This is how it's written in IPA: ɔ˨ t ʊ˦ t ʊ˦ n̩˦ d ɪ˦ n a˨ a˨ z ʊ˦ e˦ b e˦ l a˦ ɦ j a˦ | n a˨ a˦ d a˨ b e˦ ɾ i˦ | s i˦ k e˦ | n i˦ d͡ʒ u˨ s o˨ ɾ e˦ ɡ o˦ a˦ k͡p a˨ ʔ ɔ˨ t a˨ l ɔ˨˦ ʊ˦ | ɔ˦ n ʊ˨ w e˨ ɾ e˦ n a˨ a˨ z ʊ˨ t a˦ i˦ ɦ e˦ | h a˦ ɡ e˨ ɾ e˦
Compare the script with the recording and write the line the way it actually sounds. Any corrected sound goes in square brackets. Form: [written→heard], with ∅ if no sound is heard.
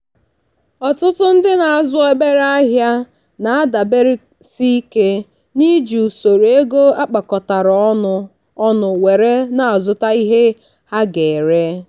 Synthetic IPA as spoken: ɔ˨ t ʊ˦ t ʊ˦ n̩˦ d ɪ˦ n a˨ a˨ z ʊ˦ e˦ b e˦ [l→ɾ] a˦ ɦ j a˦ | n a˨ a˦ d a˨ b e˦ ɾ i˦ | s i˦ k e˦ | n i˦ d͡ʒ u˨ s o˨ ɾ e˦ ɡ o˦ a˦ k͡p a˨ [ʔ→k] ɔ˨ t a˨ [l→ɾ] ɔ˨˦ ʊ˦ | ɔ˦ n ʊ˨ w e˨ ɾ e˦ n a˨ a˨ z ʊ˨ t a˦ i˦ ɦ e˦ | h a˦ ɡ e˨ ɾ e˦